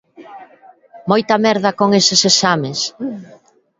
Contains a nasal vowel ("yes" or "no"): no